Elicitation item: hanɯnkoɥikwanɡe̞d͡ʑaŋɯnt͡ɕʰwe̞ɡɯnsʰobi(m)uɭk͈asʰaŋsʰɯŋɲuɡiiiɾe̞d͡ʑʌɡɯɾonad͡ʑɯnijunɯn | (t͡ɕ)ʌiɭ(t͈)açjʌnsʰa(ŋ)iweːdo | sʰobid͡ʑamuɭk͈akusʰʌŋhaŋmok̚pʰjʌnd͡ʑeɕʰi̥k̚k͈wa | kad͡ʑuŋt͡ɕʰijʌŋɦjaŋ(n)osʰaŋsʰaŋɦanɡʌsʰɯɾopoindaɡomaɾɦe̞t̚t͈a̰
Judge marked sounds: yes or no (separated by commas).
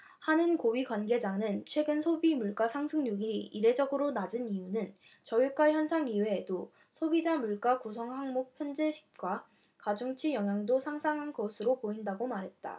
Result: yes, yes, no, yes, no